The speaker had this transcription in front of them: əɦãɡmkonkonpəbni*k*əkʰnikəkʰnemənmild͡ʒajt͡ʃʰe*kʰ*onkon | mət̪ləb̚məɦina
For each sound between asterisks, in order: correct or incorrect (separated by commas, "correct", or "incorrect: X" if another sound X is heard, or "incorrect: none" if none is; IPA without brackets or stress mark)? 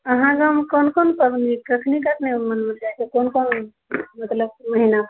correct, incorrect: k